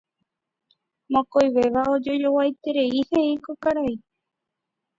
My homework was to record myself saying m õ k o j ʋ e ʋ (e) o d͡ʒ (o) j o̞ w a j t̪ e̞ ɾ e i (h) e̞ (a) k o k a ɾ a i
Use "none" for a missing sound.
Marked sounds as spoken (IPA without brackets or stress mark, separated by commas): a, o, h, i